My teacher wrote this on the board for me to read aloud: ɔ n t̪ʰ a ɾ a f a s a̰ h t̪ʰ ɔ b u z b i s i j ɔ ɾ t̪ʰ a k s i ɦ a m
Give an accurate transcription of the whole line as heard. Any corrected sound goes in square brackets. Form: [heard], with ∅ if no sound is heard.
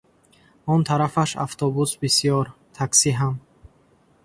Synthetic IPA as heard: ɔ n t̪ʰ a ɾ a f a [ʃ] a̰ [f] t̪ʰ ɔ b u [s] b i s i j ɔ ɾ t̪ʰ a k s i ɦ a m